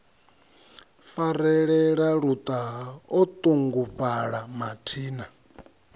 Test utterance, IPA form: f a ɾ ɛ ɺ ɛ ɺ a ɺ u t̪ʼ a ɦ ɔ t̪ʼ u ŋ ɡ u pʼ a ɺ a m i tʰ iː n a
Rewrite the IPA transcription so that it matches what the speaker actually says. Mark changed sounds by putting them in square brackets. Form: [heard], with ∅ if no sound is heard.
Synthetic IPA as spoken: f a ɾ ɛ ɺ ɛ ɺ a ɺ u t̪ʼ a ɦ ɔ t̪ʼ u ŋ ɡ u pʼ a ɺ a m [a] tʰ iː n a